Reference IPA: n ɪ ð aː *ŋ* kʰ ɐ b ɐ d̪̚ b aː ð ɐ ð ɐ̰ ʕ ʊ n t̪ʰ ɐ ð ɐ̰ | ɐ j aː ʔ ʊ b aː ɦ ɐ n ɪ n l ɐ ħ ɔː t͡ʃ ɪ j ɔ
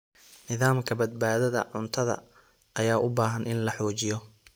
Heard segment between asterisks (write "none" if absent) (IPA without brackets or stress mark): m